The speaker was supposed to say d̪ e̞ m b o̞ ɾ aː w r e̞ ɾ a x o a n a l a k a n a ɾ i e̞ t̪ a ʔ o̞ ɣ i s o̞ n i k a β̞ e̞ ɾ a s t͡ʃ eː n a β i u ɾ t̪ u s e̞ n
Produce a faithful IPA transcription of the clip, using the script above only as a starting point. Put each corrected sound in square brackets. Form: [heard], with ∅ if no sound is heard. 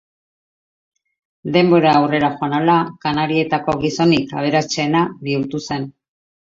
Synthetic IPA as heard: d̪ e̞ m b o̞ ɾ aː w r e̞ ɾ a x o a n a l a k a n a ɾ i e̞ t̪ a [k] o̞ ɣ i s o̞ n i k a β̞ e̞ ɾ a s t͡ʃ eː n a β i u ɾ t̪ u s e̞ n

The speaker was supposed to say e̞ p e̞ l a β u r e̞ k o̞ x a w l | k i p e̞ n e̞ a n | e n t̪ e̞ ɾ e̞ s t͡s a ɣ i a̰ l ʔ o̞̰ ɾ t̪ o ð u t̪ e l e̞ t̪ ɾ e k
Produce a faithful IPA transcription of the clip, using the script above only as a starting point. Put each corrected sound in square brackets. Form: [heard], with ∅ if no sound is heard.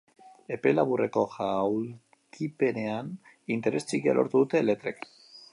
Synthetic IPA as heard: e̞ p e̞ l a β u r e̞ k o̞ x a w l | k i p e̞ n e̞ a n | [i] n t̪ e̞ ɾ e̞ s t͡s [i] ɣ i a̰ l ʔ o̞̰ ɾ t̪ [u] ð u t̪ e l e̞ t̪ ɾ e k

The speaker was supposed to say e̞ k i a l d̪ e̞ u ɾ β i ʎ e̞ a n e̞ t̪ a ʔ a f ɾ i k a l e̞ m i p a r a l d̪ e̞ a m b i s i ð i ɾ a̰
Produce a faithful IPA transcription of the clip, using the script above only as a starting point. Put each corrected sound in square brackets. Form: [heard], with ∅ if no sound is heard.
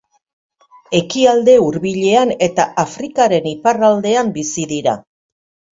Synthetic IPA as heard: e̞ k i a l d̪ e̞ u ɾ β i ʎ e̞ a n e̞ t̪ a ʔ a f ɾ i k a [ɾ] e̞ [n] i p a r a l d̪ e̞ a m b i s i ð i ɾ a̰

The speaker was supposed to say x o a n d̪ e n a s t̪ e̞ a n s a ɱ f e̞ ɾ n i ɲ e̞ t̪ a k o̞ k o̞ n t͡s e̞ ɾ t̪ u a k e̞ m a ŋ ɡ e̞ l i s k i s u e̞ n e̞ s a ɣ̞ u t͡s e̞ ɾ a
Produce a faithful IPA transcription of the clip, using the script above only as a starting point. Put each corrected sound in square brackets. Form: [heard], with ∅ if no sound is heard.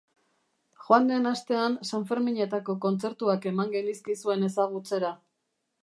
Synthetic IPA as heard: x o a n d̪ e n a s t̪ e̞ a n s a ɱ f e̞ ɾ [m] i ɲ e̞ t̪ a k o̞ k o̞ n t͡s e̞ ɾ t̪ u a k e̞ m a ŋ ɡ e̞ l i s k i s u e̞ n e̞ s a ɣ̞ u t͡s e̞ ɾ a

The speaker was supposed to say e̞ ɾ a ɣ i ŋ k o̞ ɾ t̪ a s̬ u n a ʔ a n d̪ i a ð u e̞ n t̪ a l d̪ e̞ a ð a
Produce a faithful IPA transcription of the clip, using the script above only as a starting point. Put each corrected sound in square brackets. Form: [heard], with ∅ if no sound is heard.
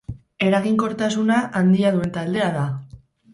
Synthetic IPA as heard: e̞ ɾ a ɣ i ŋ k o̞ ɾ t̪ a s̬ u n a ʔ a n d̪ i a ð u e̞ n t̪ a l d̪ e̞ a ð a

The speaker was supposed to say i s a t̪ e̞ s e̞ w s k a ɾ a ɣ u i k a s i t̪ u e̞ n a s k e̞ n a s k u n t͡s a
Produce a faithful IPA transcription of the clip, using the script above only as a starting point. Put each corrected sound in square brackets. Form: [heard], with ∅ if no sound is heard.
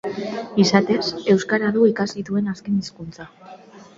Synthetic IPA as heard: i s a t̪ e̞ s e̞ w s k a ɾ a [ð] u i k a s i t̪ u e̞ n a s k e̞ n [i] s k u n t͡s a

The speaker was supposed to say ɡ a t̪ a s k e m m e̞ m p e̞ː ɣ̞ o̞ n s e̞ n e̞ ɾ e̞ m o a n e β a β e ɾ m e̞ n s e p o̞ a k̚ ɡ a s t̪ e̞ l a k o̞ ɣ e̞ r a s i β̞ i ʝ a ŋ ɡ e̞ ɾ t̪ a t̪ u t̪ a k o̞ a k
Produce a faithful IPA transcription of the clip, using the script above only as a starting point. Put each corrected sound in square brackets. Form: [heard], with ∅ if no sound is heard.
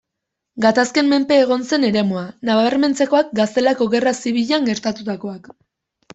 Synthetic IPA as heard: ɡ a t̪ a s k e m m e̞ m p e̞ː ɣ̞ o̞ n s e̞ n e̞ ɾ e̞ m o a n [a] β a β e ɾ m e̞ n [t͡s] e [k] o̞ a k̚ ɡ a s t̪ e̞ l a k o̞ ɣ e̞ r a s i β̞ i [ʎ] a ŋ ɡ e̞ ɾ t̪ a t̪ u t̪ a k o̞ a k

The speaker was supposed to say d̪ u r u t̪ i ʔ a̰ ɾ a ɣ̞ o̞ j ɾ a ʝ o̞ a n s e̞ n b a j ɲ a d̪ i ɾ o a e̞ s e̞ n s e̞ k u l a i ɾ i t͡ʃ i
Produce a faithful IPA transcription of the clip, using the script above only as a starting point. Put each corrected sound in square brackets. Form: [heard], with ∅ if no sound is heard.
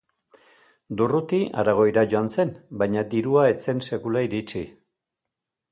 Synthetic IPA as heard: d̪ u r u t̪ i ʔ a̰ ɾ a ɣ̞ o̞ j ɾ a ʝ o̞ a n s e̞ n b a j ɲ a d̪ i ɾ [u] a e̞ [t͡s] e̞ n s e̞ k u l a i ɾ i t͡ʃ i

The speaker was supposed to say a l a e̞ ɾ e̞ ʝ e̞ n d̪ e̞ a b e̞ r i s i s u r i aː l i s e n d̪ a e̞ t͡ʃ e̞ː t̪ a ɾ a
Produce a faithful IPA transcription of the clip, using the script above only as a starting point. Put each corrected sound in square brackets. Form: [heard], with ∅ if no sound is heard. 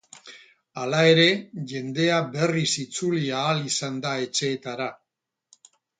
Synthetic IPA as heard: a l a e̞ ɾ e̞ ʝ e̞ n d̪ e̞ a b e̞ r i s i [t͡s] u [l] i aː l i s [a] n d̪ a e̞ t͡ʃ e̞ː t̪ a ɾ a

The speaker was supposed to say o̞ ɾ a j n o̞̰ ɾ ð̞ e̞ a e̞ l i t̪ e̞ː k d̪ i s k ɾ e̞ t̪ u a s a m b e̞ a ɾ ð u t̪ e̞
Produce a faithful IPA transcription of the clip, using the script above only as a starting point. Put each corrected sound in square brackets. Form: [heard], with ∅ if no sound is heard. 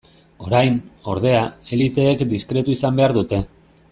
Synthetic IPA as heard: o̞ ɾ a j n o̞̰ ɾ ð̞ e̞ a e̞ l i t̪ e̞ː k d̪ i s k ɾ e̞ t̪ u [i] s a m b e̞ a ɾ ð u t̪ e̞

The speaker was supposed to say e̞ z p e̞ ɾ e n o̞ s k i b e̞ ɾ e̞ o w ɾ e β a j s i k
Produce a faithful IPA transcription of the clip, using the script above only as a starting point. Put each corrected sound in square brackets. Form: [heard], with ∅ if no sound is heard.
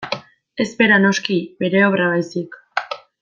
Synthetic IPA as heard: e̞ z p e̞ ɾ [a] n o̞ s k i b e̞ ɾ e̞ o [β] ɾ [a] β a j s i k

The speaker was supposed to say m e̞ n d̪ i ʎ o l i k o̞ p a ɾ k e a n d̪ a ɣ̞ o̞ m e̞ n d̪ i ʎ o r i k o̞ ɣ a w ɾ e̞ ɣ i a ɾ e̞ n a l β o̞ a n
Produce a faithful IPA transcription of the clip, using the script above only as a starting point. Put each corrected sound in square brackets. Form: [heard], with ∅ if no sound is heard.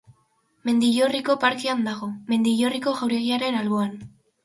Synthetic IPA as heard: m e̞ n d̪ i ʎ o [r] i k o̞ p a ɾ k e a n d̪ a ɣ̞ o̞ m e̞ n d̪ i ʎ o r i k o̞ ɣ a w ɾ e̞ ɣ i a ɾ e̞ n a l β o̞ a n

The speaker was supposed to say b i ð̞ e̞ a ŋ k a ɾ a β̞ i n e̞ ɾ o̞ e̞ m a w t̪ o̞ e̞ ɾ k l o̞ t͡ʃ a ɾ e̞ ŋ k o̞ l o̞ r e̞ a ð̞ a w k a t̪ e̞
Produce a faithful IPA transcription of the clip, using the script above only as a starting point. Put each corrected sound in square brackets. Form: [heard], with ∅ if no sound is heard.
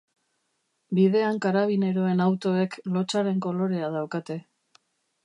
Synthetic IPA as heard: b i ð̞ e̞ a ŋ k a ɾ a β̞ i n e̞ ɾ o̞ e̞ [n] a w t̪ o̞ e̞ [∅] k l o̞ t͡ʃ a ɾ e̞ ŋ k o̞ l o̞ [ɾ] e̞ a ð̞ a w k a t̪ e̞

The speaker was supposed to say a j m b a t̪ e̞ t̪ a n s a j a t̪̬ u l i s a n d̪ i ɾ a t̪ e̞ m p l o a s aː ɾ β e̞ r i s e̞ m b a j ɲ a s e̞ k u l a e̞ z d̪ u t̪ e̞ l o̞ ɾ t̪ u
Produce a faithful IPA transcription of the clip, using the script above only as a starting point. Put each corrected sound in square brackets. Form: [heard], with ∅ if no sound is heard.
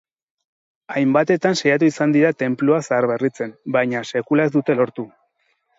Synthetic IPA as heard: a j m b a t̪ e̞ t̪ a n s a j a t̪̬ u [∅] i s a n d̪ i ɾ a t̪ e̞ m p l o a s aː ɾ β e̞ r i [t͡s] e̞ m b a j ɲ a s e̞ k u l a e̞ z d̪ u t̪ e̞ l o̞ ɾ t̪ u

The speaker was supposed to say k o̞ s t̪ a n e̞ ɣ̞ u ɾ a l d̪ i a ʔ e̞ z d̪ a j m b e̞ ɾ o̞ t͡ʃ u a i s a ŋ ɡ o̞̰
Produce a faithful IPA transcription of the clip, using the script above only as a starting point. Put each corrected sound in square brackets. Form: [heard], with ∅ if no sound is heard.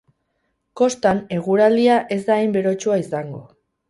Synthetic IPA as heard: k o̞ s t̪ a n e̞ ɣ̞ u ɾ a l d̪ i a ʔ e̞ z d̪ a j m b e̞ ɾ o̞ t͡ʃ u a i s a ŋ ɡ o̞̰

